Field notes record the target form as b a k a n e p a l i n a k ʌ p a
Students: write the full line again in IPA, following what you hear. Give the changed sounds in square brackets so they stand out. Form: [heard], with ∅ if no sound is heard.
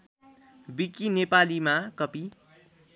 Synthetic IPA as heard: b [i] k [i] n e p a l i [m] a k ʌ p [i]